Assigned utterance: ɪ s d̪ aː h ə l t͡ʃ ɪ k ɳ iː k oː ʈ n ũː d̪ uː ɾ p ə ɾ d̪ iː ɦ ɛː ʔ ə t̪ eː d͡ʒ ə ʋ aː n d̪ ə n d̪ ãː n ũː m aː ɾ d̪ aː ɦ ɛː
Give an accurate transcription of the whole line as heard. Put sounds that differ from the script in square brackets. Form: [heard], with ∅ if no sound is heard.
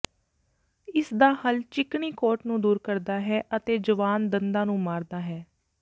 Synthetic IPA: ɪ s d̪ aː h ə l t͡ʃ ɪ k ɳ iː k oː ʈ n ũː d̪ uː ɾ [k] ə ɾ d̪ [aː] ɦ ɛː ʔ ə t̪ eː d͡ʒ ə ʋ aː n d̪ ə n d̪ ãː n ũː m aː ɾ d̪ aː ɦ ɛː